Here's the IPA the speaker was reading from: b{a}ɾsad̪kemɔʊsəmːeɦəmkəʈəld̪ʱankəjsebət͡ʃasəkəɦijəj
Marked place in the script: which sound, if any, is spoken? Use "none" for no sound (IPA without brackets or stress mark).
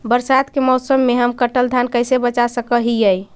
ə